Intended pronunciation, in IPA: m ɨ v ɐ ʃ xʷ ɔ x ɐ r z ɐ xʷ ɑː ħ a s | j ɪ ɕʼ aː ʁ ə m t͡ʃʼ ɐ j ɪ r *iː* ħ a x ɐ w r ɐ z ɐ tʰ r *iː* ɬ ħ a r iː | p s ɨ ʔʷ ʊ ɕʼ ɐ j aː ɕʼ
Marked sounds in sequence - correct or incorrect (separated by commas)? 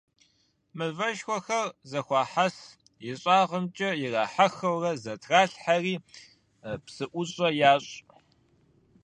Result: incorrect, incorrect